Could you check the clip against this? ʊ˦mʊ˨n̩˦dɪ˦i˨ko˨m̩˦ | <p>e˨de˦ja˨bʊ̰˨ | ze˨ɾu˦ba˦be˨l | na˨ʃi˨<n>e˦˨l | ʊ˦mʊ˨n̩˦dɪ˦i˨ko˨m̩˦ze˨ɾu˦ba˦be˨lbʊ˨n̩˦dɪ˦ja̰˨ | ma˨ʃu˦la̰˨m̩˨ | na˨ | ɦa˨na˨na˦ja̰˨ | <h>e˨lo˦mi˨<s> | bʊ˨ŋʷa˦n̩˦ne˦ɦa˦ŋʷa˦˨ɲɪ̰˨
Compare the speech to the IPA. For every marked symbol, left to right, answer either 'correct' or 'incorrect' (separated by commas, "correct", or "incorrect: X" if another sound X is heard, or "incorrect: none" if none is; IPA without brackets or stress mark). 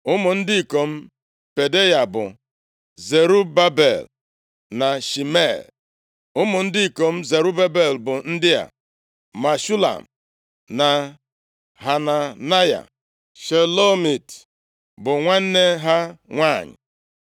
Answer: correct, incorrect: m, incorrect: ʃ, incorrect: t